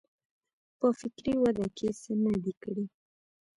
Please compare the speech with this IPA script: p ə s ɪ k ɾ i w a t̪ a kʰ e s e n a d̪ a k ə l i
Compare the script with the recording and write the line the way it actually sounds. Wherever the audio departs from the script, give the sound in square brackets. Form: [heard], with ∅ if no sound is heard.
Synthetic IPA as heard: p ə [f] ɪ k ɾ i w a [d̪] a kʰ e s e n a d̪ [i] k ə [ɽ] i

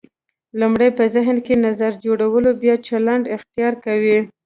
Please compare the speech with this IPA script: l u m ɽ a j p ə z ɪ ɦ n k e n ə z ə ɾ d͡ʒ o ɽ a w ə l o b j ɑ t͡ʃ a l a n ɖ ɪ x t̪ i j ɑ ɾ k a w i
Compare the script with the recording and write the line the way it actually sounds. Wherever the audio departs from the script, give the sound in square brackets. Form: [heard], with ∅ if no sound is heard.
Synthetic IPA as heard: l u m ɽ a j p ə z ɪ ɦ n k e n [a] z [a] ɾ d͡ʒ o ɽ a w ə l o b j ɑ t͡ʃ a l a [ɳ] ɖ ɪ x t̪ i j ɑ ɾ k a w i

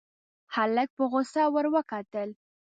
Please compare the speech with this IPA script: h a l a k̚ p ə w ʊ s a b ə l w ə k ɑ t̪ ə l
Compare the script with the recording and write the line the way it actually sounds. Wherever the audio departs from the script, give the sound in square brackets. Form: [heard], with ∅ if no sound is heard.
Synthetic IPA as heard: h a l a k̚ p ə [ɣ] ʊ s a [w] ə [ɾ] w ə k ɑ t̪ ə l

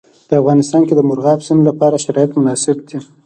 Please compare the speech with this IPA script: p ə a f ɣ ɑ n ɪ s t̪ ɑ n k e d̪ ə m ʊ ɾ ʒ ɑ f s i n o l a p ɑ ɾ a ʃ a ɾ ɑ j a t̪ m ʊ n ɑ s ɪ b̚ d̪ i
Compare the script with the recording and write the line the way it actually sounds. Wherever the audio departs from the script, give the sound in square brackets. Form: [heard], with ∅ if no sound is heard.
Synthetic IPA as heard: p ə a f ɣ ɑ n ɪ s t̪ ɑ n k e d̪ ə m ʊ ɾ [ɣ] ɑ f s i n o l a p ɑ ɾ a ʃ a ɾ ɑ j a t̪ m ʊ n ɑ s ɪ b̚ d̪ i

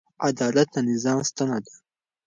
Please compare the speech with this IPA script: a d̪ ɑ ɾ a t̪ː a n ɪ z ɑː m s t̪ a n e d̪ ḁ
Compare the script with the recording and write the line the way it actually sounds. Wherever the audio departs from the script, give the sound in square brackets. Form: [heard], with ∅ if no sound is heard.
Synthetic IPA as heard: a d̪ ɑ [l] a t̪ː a n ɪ z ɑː m s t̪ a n [a] d̪ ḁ

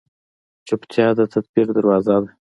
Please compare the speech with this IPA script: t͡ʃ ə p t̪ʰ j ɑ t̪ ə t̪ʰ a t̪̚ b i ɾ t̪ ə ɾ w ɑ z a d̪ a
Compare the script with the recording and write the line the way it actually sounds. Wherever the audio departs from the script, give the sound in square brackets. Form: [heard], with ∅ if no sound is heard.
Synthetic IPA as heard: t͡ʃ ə p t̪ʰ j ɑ [d̪] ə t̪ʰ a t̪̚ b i ɾ [d̪] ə ɾ w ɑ z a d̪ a

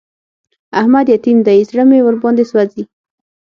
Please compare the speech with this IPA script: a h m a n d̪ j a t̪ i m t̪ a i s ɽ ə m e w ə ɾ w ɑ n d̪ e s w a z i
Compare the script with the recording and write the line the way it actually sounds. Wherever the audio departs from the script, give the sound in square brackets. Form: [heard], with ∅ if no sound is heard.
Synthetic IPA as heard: a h m a [∅] d̪ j a t̪ i m [d̪] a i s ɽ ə m e w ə ɾ [b] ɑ n d̪ e s w a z i

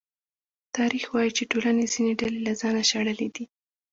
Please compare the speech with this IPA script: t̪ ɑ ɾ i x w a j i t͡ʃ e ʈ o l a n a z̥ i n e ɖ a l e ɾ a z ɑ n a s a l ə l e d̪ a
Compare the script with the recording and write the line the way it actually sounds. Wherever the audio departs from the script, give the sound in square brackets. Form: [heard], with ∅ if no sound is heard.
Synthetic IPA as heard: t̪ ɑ ɾ i x w [ɑ] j i t͡ʃ e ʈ o l a n [e] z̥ i n e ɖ a l e [l] a z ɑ n a [ʃ] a [ɽ] ə l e d̪ [i]

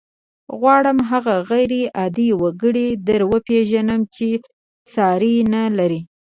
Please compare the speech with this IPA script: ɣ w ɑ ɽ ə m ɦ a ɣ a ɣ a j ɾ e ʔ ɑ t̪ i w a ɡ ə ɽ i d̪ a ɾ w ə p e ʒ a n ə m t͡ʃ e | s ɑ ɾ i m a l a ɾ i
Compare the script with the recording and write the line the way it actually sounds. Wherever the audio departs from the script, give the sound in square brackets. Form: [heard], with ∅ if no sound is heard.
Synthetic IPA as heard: ɣ w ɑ ɽ ə m ɦ a ɣ a ɣ a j ɾ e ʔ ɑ [d̪] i w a ɡ ə ɽ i d̪ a ɾ w ə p e ʒ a n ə m t͡ʃ e | s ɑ ɾ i [n] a l a ɾ i

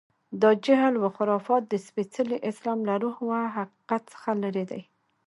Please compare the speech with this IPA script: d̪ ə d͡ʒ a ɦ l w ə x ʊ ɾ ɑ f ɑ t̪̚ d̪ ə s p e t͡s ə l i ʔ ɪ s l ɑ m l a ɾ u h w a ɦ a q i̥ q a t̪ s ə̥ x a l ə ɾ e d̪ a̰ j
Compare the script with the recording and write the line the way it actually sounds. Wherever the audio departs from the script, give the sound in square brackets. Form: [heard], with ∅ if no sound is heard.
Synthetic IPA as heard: d̪ [ɑ] d͡ʒ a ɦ l w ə x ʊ ɾ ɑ f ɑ t̪̚ d̪ ə s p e t͡s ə l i ʔ ɪ s l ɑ m l a ɾ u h w a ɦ a q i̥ q a t̪ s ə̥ x a l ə ɾ e d̪ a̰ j

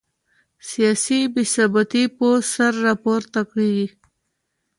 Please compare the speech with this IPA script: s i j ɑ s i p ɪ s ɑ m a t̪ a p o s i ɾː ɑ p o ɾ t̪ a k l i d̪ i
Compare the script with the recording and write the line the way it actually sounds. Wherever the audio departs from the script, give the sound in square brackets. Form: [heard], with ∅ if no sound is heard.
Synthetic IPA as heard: s i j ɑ s i [b] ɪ s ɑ [b] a t̪ [i] p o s [a] ɾː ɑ p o ɾ t̪ a k [ɽ] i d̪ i

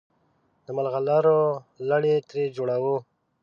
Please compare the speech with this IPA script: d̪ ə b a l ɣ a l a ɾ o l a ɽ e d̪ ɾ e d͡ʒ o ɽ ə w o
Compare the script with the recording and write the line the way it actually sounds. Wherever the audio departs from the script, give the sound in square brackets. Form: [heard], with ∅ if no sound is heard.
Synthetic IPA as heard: d̪ ə [m] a l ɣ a l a ɾ o l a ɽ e [t̪] ɾ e d͡ʒ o ɽ [a] w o

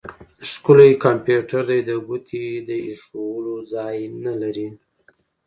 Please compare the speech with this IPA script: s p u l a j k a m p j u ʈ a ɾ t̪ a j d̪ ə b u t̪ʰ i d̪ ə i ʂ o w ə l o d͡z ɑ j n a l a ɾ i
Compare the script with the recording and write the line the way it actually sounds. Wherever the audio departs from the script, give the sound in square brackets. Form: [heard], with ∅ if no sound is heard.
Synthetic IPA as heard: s [k] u l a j k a m p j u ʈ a ɾ [d̪] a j d̪ ə [ɡ] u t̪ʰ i d̪ ə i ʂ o w ə l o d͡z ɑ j n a l a ɾ i

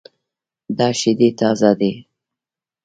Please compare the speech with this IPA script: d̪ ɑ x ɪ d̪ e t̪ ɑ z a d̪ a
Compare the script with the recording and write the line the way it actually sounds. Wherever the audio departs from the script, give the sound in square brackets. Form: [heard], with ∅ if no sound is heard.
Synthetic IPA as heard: d̪ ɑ [ʃ] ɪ d̪ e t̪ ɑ z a d̪ [e]

